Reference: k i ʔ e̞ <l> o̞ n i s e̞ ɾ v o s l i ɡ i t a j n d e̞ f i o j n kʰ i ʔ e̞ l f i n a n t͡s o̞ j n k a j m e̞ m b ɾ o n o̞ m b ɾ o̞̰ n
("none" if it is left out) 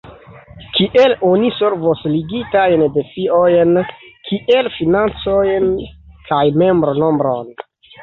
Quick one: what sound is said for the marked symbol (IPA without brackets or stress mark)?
l